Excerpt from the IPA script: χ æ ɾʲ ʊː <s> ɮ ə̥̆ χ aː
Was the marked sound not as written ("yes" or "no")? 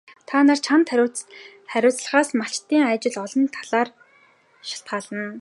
yes